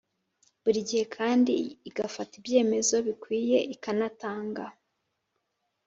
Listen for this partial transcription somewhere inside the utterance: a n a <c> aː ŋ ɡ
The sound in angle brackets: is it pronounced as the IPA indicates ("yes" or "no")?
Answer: no